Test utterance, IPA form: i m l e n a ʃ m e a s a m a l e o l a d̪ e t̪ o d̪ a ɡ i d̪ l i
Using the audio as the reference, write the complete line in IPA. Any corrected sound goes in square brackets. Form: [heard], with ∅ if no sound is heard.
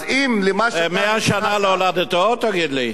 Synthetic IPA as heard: i m l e [m] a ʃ m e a [ʃ] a [n] a l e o l a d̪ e t̪ o [t̪] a ɡ i d̪ l i